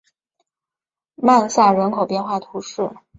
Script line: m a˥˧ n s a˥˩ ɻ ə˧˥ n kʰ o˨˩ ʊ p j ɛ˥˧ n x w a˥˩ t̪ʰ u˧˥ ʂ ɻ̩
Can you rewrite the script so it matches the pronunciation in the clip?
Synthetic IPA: m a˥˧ n s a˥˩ ɻ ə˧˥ n kʰ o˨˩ ʊ p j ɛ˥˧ n x w a˥˩ t̪ʰ u˧˥ ʂ ɻ̩

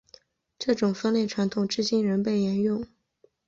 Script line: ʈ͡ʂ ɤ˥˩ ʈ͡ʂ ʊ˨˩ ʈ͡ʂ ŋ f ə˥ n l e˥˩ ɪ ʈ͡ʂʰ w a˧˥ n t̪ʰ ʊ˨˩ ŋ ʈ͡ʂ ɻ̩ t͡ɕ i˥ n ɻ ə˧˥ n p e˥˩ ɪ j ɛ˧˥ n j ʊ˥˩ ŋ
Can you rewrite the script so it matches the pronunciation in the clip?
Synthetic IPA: ʈ͡ʂ ɤ˥˩ ʈ͡ʂ ʊ˨˩ ŋ f ə˥ n l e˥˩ ɪ ʈ͡ʂʰ w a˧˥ n t̪ʰ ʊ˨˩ ŋ ʈ͡ʂ ɻ̩ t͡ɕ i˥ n ɻ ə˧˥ n p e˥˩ ɪ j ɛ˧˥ n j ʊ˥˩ ŋ

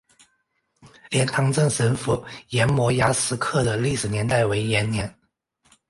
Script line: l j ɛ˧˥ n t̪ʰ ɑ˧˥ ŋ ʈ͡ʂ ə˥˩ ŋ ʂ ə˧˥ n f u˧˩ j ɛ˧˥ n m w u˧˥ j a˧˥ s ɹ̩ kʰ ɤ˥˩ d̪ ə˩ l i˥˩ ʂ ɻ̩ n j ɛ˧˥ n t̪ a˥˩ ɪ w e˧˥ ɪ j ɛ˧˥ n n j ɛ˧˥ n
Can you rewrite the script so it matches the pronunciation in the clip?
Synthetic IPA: l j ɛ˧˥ n t̪ʰ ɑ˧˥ ŋ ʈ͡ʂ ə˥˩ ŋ ʂ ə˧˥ n f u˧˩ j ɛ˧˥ n m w ɔ˧˥ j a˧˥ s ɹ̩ kʰ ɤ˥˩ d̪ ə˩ l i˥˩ ʂ ɻ̩ n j ɛ˧˥ n t̪ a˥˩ ɪ w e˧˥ ɪ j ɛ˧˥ n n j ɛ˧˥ n

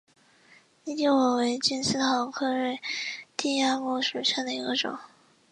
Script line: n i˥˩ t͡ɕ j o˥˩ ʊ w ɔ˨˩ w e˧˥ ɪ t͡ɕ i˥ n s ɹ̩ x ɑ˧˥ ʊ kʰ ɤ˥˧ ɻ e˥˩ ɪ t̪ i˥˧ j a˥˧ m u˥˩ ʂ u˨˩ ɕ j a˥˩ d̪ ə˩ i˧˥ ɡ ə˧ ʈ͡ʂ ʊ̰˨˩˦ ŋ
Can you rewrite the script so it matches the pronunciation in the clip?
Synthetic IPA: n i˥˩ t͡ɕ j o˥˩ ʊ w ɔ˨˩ w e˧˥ ɪ t͡ɕ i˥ n s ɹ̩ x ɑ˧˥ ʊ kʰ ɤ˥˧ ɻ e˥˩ ɪ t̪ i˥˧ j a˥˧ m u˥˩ ʂ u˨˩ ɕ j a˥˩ d̪ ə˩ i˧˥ ɡ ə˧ ʈ͡ʂ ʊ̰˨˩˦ ŋ

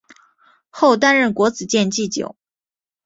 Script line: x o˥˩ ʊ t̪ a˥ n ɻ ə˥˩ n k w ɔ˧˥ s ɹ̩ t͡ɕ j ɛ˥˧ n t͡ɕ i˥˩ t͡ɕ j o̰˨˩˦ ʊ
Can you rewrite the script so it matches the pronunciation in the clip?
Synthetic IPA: x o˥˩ ʊ t̪ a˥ n ɻ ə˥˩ n k w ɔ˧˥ t͡s ɹ̩ t͡ɕ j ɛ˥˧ n t͡ɕ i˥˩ t͡ɕ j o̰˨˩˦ ʊ

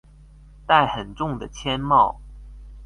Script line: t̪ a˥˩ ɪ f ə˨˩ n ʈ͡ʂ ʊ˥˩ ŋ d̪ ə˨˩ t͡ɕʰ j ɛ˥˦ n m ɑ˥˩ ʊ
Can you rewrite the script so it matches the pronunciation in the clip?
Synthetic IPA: t̪ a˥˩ ɪ x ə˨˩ n ʈ͡ʂ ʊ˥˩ ŋ d̪ ə˨˩ t͡ɕʰ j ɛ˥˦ n m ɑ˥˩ ʊ

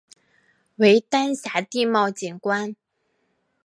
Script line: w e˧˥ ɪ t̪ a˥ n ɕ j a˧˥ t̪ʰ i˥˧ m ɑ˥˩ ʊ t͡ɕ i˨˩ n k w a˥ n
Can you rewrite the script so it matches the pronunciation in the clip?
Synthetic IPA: w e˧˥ ɪ t̪ a˥ n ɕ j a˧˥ t̪ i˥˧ m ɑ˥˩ ʊ t͡ɕ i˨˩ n k w a˥ n

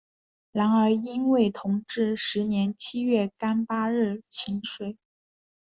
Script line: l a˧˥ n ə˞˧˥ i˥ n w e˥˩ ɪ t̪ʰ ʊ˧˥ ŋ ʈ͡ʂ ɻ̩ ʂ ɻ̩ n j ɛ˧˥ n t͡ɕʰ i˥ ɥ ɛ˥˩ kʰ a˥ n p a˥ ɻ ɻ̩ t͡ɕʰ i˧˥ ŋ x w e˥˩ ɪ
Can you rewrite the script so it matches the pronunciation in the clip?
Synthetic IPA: l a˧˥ n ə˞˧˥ i˥ n w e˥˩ ɪ t̪ʰ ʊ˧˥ ŋ ʈ͡ʂ ɻ̩ ʂ ɻ̩ n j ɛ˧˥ n t͡ɕʰ i˥ ɥ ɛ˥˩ k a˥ n p a˥ ɻ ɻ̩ t͡ɕʰ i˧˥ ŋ ʂ w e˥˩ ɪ

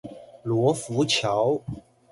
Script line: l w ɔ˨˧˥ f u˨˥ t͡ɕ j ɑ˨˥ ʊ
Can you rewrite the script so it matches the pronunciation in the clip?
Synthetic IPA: l w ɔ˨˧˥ f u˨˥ t͡ɕʰ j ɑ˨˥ ʊ

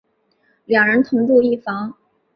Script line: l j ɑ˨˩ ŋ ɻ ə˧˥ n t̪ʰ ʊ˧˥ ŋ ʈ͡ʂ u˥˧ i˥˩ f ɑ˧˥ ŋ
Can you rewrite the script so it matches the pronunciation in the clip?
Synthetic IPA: l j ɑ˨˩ ŋ ɻ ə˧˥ n t̪ʰ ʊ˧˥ ŋ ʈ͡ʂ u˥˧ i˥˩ f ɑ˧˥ ŋ

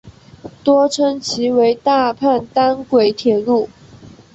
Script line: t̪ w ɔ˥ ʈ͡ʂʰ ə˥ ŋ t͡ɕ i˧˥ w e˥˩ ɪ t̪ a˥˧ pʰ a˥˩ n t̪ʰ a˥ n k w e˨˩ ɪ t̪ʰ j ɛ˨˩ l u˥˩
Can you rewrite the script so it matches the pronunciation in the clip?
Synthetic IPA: t̪ w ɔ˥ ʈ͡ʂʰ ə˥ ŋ t͡ɕʰ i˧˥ w e˧˥ ɪ t̪ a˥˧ pʰ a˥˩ n t̪ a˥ n k w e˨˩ ɪ t̪ʰ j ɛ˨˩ l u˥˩

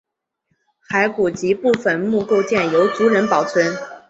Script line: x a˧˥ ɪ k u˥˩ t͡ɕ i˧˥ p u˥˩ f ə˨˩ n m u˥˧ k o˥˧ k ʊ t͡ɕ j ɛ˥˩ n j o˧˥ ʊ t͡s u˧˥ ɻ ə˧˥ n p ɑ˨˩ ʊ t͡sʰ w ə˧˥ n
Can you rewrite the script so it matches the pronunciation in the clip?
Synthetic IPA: x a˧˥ ɪ k u˨˩ t͡ɕ i˧˥ p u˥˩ f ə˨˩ n m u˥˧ k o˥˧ ʊ t͡ɕ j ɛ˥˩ n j o˧˥ ʊ t͡s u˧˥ ɻ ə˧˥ n p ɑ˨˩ ʊ t͡sʰ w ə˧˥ n

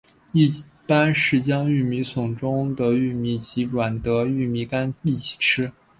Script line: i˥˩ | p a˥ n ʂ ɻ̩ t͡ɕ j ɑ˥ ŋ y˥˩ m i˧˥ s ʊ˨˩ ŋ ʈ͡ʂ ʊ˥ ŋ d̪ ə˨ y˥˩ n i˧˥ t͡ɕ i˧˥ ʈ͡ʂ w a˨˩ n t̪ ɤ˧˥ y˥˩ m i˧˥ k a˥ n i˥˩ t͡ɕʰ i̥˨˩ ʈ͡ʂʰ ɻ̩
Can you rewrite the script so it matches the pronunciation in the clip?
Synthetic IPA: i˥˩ | p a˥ n ʂ ɻ̩ t͡ɕ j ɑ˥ ŋ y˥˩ m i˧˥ s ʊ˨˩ ŋ ʈ͡ʂ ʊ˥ ŋ d̪ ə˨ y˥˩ m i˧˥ t͡ɕ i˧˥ ʈ͡ʂ w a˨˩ n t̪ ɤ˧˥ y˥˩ m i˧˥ k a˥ n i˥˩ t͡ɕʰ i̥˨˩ ʈ͡ʂʰ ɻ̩

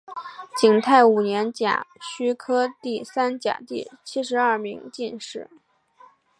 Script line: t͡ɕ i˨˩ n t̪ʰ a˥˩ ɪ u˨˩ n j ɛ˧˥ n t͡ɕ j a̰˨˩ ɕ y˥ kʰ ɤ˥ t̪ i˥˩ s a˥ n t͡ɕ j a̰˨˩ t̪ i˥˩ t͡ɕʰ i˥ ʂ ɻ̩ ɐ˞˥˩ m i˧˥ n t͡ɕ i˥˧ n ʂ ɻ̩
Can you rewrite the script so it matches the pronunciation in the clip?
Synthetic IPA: t͡ɕ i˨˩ ŋ t̪ʰ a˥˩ ɪ u˨˩ n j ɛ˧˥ n t͡ɕ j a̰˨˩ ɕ y˥ kʰ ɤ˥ t̪ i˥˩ s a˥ n t͡ɕ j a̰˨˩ t̪ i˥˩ t͡ɕʰ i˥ ʂ ɻ̩ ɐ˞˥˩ m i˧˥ ŋ t͡ɕ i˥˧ n ʂ ɻ̩

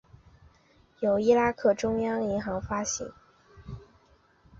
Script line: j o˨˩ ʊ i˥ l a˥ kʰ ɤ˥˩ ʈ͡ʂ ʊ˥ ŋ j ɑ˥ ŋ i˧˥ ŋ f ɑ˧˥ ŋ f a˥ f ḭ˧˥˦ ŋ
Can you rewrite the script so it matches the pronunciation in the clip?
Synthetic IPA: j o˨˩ ʊ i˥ l a˥ kʰ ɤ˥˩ ʈ͡ʂ ʊ˥ ŋ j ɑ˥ ŋ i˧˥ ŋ x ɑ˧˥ ŋ f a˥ ɕ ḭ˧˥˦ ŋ

